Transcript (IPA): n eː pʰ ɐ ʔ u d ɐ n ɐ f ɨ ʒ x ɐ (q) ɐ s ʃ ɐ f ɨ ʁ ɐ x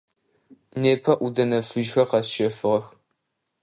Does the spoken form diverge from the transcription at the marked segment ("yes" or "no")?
no